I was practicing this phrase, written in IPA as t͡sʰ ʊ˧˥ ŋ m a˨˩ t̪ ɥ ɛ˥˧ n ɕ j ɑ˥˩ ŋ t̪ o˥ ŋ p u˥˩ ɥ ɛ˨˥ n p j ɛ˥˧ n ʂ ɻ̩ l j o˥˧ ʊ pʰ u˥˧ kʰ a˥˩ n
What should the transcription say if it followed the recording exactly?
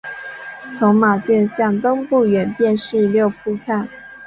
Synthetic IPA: t͡sʰ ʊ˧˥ ŋ m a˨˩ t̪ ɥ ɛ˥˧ n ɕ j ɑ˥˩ ŋ t̪ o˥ ŋ p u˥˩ ɥ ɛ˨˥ n p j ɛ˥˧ n ʂ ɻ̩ l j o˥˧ ʊ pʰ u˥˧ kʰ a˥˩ n